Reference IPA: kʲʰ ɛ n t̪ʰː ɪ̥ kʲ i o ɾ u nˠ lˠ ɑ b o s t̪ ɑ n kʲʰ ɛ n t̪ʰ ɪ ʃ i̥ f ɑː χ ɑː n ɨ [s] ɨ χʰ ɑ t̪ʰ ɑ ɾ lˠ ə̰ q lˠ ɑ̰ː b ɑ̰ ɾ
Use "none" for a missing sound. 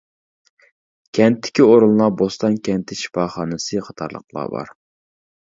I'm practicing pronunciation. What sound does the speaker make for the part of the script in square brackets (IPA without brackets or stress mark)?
s